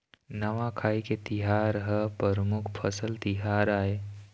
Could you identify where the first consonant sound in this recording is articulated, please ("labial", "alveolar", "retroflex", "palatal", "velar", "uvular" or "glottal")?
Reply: alveolar